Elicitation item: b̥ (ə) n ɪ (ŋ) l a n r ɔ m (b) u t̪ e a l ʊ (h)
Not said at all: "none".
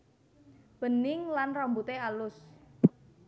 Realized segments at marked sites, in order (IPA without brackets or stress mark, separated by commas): ə, ŋ, b, s